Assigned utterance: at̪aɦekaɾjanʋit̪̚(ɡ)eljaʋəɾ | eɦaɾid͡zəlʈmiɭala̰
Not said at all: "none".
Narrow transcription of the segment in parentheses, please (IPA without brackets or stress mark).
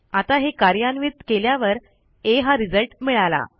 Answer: k